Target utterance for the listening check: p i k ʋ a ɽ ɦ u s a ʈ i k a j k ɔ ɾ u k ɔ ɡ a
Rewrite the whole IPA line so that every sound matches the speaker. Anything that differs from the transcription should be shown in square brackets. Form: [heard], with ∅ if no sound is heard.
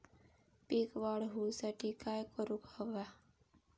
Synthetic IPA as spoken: p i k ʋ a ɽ ɦ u s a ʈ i k a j k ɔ ɾ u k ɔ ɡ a